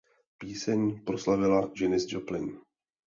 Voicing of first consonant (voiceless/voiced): voiceless